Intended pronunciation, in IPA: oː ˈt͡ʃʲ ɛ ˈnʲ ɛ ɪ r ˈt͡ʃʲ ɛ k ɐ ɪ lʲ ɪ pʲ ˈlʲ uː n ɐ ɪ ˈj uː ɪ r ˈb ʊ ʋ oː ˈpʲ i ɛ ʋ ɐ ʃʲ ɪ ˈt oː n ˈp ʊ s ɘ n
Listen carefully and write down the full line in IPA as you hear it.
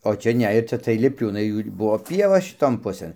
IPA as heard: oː ˈt͡ʃʲ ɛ ˈnʲ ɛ ɪ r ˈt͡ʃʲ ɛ t ɐ ɪ lʲ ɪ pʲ ˈlʲ uː n ɐ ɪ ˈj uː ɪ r ˈb ʊ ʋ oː ˈpʲ i ɛ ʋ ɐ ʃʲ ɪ ˈt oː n ˈp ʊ s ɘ n